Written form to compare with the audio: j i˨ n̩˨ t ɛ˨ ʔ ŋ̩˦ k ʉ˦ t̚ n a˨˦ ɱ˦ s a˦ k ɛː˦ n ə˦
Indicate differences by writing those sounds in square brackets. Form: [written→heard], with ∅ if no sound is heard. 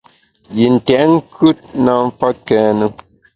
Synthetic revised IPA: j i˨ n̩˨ t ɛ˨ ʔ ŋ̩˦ k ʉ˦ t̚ n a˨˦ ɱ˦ [s→f] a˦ k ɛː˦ n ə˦